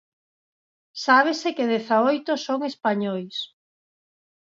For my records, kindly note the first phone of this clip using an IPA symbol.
s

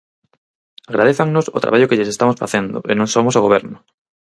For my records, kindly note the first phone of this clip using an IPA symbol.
a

